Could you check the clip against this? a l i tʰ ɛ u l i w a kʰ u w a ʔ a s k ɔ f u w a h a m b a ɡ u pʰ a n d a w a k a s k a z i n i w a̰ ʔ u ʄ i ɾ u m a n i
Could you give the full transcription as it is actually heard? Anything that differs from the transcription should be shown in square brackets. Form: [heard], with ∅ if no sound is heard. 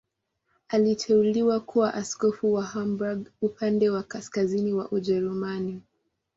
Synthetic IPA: a l i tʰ ɛ u l i w a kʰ u w a ʔ a s k ɔ f u w a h a m b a ɡ u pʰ a n d [ɛ] w a k a s k a z i n i w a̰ ʔ u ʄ [ɛ] ɾ u m a n i